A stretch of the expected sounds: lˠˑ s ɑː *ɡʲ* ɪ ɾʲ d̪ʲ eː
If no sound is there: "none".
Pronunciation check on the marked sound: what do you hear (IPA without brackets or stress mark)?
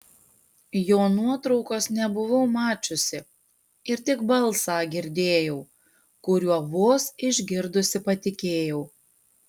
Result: ɡʲ